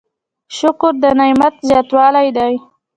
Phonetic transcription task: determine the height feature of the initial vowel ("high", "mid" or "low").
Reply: high